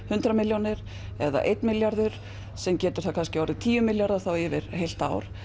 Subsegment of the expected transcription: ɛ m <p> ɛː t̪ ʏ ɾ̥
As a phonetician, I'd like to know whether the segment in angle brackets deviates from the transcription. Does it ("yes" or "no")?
yes